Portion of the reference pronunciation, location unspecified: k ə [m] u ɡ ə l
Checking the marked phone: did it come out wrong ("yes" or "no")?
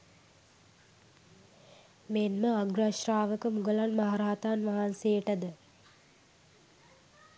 no